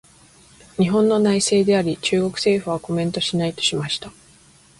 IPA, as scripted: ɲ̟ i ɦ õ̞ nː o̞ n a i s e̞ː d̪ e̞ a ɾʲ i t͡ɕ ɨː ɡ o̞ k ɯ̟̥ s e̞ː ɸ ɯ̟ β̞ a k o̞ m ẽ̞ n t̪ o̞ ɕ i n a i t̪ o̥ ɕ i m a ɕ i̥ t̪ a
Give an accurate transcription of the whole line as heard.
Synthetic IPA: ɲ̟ i ɦ õ̞ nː o̞ n a i s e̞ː d̪ e̞ a ɾʲ i t͡ɕ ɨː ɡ o̞ k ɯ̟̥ s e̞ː ɸ ɯ̟ β̞ a k o̞ m ẽ̞ n t̪ o̞ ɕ i n a i t̪ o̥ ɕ i m a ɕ i̥ t̪ a